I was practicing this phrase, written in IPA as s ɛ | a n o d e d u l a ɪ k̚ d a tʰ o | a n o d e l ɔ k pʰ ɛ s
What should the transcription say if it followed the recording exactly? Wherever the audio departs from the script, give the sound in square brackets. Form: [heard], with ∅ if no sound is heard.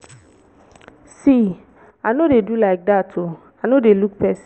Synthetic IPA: s [i] | a n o d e d u l a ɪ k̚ d a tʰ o | a n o d e l [u] k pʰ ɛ s